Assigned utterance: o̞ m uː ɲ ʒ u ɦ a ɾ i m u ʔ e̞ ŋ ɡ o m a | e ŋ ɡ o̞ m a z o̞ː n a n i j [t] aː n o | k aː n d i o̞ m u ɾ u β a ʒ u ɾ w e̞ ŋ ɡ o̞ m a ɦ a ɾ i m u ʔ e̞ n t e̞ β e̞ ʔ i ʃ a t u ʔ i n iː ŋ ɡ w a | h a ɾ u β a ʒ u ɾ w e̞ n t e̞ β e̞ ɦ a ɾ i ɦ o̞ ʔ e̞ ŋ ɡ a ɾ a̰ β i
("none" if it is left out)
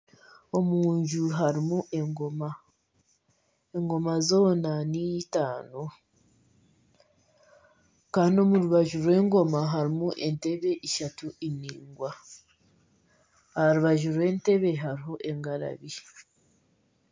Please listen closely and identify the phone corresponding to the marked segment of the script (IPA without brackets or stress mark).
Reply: t